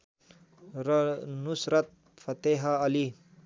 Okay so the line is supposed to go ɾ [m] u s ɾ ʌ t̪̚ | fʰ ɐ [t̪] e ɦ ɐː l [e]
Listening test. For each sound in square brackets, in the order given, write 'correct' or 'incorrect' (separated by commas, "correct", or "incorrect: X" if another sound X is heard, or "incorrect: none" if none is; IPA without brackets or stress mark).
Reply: incorrect: n, correct, incorrect: i